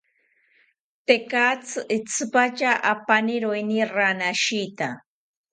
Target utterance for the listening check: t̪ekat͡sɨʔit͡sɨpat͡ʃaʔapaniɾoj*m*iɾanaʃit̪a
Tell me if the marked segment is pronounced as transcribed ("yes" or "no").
no